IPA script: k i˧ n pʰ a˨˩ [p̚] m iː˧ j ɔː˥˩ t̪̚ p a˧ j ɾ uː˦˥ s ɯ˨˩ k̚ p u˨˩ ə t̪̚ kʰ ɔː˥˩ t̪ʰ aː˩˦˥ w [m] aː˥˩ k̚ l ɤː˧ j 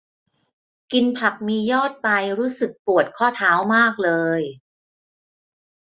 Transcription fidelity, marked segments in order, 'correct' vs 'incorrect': incorrect: k̚, correct

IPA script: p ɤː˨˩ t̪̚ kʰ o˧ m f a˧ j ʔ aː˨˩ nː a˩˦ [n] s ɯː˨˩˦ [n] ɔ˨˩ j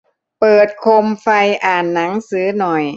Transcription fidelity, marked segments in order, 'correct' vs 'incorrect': incorrect: ŋ, correct

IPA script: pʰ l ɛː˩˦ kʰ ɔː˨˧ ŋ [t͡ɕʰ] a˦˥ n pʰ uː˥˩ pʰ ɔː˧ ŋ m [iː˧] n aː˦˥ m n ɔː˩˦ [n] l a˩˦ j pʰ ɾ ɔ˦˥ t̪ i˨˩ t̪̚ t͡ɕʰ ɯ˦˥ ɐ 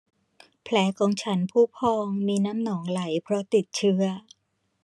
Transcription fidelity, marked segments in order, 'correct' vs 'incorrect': correct, correct, incorrect: ŋ

